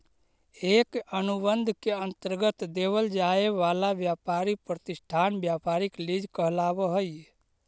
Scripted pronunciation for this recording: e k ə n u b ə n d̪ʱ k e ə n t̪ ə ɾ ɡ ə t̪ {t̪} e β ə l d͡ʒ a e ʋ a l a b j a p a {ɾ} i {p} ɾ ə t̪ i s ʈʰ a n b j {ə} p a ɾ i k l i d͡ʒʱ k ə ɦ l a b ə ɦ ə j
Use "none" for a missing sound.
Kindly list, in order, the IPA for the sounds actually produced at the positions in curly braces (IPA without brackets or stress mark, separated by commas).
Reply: d̪, ɾ, p, a